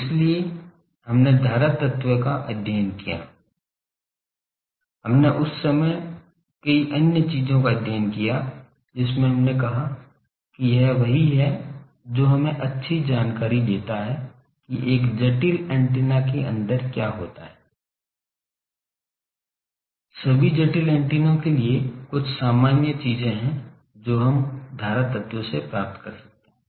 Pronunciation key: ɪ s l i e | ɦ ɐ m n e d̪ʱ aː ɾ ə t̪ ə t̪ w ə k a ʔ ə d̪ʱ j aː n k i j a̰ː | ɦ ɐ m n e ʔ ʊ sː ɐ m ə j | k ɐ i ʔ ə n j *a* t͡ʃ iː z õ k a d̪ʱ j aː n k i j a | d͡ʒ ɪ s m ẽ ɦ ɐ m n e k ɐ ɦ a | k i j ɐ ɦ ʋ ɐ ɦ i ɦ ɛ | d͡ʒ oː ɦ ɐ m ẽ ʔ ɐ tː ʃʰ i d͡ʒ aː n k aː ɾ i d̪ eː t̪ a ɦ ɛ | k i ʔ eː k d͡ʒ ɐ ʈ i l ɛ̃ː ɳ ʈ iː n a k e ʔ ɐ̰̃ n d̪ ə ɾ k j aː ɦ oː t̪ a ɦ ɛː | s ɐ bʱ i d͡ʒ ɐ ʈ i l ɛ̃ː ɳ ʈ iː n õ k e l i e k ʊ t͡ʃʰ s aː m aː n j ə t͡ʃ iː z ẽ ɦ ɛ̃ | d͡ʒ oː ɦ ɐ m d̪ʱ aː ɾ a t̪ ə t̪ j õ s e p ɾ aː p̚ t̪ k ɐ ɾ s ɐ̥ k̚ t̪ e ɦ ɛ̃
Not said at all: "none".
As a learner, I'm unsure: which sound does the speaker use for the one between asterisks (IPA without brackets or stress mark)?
ə